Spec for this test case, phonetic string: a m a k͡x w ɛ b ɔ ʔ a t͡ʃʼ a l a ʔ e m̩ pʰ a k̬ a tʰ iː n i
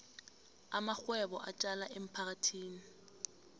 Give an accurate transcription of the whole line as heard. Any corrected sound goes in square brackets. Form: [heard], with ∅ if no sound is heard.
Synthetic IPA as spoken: a m a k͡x w ɛ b ɔ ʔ a t͡ʃʼ a l a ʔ e m̩ pʰ a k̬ a tʰ iː n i

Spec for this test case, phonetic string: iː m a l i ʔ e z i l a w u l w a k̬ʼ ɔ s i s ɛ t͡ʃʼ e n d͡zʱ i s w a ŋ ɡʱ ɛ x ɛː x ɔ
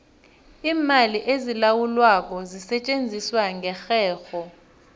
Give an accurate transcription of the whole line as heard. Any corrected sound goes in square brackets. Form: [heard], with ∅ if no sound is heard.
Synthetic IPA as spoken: iː m a l i ʔ e z i l a w u l w a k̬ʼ ɔ [z] i s ɛ t͡ʃʼ e n d͡zʱ i s w a ŋ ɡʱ ɛ x ɛː x ɔ

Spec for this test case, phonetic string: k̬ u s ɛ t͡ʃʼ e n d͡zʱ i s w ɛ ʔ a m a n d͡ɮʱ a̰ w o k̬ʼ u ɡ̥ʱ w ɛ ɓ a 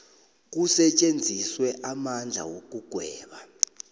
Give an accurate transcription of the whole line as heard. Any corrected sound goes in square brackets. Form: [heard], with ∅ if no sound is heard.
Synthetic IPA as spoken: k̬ u s ɛ t͡ʃʼ e n d͡zʱ i s w ɛ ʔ a m a n d͡ɮʱ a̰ w o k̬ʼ u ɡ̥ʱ w [ɛː] ɓ a

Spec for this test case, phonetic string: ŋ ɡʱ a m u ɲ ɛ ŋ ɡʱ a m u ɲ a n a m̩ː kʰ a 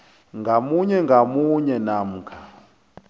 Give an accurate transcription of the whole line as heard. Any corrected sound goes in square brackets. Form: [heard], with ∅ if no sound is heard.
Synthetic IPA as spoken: ŋ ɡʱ a m u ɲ ɛ ŋ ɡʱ a m u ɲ [ɛ] n a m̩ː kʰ a

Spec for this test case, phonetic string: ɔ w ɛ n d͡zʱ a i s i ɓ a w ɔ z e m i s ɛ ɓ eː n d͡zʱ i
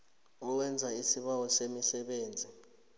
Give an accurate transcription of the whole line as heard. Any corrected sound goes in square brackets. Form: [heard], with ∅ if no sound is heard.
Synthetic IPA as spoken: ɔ w ɛ n d͡zʱ a i s i ɓ a w ɔ [s] e m i s ɛ ɓ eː n d͡zʱ i

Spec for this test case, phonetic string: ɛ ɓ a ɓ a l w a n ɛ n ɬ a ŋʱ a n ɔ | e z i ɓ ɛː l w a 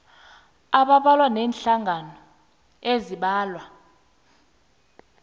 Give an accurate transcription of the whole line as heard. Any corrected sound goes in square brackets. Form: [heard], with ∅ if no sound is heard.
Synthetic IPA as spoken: [a] ɓ a ɓ a l w a n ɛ n ɬ a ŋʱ a n ɔ | e z i ɓ [aː] l w a

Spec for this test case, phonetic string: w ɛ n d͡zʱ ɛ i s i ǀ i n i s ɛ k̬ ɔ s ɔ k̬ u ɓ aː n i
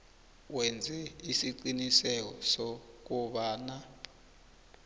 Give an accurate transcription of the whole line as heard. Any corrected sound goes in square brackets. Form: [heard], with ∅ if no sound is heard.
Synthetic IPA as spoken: w ɛ n d͡zʱ ɛ i s i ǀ i n i s ɛ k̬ ɔ s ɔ k̬ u ɓ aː n [a]

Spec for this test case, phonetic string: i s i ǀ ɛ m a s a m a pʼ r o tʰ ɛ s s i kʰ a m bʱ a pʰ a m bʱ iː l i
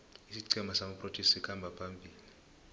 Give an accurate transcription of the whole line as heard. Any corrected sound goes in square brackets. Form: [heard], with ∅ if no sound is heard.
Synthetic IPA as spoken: i s i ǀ ɛ m a s a m a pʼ r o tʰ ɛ s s i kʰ a m bʱ a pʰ a m bʱ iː l i

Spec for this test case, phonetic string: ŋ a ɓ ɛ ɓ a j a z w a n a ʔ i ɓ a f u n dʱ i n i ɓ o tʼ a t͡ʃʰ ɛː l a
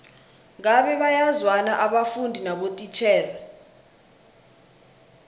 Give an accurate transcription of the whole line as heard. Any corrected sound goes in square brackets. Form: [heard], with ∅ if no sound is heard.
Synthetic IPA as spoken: ŋ a ɓ ɛ ɓ a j a z w a n a ʔ [a] ɓ a f u n dʱ i n [a] ɓ o tʼ [i] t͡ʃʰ ɛː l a

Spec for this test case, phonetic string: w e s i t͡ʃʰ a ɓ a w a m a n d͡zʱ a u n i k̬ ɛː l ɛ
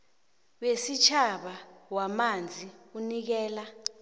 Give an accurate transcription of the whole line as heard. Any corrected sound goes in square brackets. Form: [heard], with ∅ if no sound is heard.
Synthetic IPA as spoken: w e s i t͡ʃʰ a ɓ a w a m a n d͡zʱ [i] u n i k̬ ɛː l [a]

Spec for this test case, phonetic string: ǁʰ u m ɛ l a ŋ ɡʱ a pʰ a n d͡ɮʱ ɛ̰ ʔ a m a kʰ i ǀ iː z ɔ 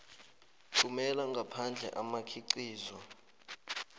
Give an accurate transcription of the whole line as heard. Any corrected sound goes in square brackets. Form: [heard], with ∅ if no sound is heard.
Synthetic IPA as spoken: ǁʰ u m ɛ l a ŋ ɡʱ a pʰ a n d͡ɮʱ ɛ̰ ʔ a m a kʰ i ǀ iː z ɔ

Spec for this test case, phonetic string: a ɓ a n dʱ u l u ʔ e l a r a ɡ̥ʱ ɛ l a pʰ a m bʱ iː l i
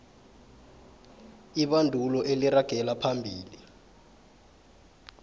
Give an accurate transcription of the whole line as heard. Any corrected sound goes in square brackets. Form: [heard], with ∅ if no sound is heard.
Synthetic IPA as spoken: [i] ɓ a n dʱ u l [ɔ] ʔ e l [i] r a ɡ̥ʱ ɛ l a pʰ a m bʱ iː l i

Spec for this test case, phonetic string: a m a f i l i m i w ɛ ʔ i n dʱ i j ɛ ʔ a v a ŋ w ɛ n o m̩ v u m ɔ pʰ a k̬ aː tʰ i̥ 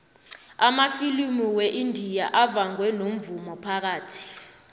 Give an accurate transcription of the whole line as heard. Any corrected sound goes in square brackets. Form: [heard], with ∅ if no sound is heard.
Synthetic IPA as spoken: a m a f i l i m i w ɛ ʔ i n dʱ i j [a] ʔ a v a ŋ w ɛ n o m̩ v u m ɔ pʰ a k̬ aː tʰ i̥

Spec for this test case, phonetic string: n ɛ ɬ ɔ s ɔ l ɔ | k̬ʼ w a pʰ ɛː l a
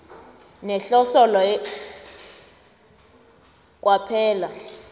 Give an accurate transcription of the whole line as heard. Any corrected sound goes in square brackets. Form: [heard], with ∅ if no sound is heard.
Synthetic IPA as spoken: n ɛ ɬ ɔ s ɔ l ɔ | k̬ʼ w a pʰ ɛː l a

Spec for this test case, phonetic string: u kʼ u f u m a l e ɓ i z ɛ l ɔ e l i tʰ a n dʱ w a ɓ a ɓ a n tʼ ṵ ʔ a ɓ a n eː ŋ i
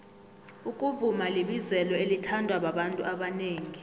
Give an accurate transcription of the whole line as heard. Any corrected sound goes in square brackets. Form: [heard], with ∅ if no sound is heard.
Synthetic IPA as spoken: u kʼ u [v] u m a l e ɓ i z ɛ l ɔ e l i tʰ a n dʱ w a ɓ a ɓ a n tʼ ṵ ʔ a ɓ a n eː ŋ i

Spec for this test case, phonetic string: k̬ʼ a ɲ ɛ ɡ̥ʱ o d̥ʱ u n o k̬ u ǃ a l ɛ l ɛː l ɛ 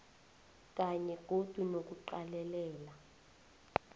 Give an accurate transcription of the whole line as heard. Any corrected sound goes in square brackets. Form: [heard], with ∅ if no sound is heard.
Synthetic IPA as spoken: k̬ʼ a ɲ ɛ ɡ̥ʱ o d̥ʱ u n o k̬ u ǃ a l ɛ l ɛː l [a]

